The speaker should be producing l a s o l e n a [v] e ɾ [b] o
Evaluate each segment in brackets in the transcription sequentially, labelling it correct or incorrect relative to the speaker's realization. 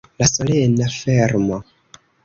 incorrect: f, incorrect: m

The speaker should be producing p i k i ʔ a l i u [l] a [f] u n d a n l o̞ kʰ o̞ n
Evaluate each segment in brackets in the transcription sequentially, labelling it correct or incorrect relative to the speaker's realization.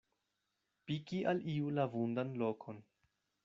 correct, incorrect: v

